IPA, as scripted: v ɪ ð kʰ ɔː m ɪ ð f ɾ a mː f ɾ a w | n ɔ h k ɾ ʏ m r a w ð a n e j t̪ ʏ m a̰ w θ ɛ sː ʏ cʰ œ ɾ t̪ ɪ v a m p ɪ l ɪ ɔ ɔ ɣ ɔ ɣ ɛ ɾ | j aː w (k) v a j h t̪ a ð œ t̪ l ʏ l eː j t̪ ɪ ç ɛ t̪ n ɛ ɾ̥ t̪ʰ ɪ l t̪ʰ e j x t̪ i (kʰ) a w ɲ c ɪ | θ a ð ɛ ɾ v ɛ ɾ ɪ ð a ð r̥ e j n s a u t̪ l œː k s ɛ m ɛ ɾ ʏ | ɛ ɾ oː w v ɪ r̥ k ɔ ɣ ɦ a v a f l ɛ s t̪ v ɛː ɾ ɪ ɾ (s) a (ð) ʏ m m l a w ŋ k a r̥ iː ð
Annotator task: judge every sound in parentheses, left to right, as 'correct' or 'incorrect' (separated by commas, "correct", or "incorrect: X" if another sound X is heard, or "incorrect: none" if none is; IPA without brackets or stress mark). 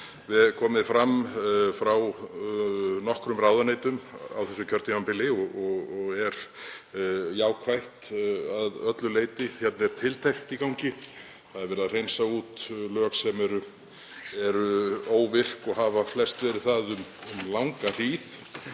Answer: incorrect: kʰ, incorrect: k, incorrect: θ, correct